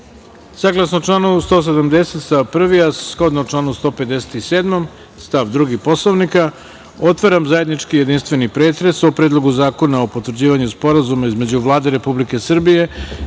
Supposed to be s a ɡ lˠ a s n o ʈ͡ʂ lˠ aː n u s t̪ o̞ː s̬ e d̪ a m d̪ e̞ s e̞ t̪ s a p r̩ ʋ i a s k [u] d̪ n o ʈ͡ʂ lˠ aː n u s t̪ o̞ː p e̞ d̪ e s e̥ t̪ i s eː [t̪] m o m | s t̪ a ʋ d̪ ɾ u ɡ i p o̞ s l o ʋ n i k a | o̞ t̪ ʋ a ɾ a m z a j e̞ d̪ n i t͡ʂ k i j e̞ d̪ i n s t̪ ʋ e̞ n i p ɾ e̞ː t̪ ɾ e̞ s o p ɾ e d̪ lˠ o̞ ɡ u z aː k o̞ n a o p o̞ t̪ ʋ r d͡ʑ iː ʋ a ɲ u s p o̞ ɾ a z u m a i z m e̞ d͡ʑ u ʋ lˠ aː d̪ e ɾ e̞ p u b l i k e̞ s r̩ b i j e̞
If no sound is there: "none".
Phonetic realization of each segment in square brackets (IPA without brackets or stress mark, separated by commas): o, d̪